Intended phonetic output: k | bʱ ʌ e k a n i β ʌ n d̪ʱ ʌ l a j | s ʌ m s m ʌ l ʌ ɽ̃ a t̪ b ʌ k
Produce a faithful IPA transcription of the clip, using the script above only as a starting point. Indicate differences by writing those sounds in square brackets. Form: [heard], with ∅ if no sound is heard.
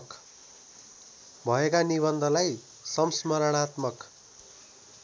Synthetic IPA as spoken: k | bʱ ʌ e k a n i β ʌ n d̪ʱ ʌ l a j | s ʌ m s m ʌ [ɾ] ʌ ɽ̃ a t̪ [m] ʌ k

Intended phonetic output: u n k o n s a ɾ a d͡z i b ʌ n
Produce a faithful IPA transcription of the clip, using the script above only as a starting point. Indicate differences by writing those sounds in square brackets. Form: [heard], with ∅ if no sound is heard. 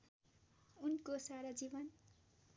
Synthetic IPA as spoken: u n k o [∅] s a ɾ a d͡z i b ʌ n

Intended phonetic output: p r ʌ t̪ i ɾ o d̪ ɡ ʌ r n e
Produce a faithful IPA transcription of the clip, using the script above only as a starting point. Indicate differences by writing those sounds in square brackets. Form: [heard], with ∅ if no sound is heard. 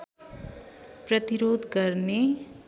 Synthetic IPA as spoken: p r ʌ t̪ i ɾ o d̪ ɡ ʌ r n e

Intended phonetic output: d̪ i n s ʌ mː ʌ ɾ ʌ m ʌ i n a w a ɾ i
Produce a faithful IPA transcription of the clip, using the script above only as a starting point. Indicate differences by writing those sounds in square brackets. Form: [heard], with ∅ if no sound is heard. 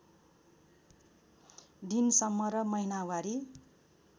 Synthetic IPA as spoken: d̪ i n s ʌ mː ʌ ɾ ʌ m ʌ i n a w a ɾ i

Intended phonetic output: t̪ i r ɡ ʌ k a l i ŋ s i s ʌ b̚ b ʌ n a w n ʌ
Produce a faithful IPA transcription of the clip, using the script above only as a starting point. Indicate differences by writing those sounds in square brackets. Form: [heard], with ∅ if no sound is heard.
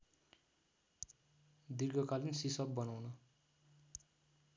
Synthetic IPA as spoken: [d̪] i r ɡ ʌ k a l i [n] s i s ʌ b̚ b ʌ n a w n ʌ

